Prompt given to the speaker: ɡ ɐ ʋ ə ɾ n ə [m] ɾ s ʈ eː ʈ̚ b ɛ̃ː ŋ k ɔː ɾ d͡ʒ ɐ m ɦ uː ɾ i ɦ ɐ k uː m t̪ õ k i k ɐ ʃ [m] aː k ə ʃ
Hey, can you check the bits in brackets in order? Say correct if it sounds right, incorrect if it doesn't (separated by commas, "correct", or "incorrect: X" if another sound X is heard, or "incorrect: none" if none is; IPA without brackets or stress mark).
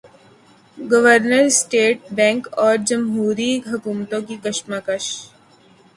incorrect: none, correct